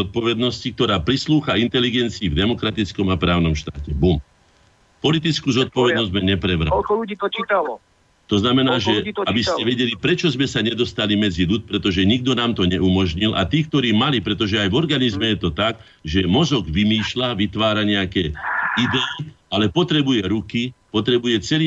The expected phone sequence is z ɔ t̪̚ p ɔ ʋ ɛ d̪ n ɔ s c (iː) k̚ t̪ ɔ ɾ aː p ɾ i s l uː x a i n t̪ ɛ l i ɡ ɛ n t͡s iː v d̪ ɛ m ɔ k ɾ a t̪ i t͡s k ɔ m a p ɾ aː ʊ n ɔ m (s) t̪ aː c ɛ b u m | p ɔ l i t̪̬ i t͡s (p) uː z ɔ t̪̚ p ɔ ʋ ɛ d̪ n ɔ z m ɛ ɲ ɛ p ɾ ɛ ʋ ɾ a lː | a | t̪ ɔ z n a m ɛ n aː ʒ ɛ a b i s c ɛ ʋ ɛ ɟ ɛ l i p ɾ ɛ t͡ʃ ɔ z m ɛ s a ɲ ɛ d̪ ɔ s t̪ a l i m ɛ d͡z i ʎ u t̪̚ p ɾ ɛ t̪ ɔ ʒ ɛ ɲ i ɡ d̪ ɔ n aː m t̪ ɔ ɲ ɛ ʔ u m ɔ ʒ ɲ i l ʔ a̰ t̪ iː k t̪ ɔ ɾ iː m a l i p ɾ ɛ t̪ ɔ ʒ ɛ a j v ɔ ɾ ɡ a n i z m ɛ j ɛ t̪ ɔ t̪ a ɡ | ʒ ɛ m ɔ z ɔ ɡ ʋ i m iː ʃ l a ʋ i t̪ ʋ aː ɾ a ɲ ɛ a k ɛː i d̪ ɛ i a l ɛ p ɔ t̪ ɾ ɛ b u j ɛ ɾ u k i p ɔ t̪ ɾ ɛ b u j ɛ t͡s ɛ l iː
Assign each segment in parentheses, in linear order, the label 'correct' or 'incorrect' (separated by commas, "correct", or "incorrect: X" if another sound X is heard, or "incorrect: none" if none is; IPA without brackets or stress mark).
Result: incorrect: i, incorrect: ʃ, incorrect: k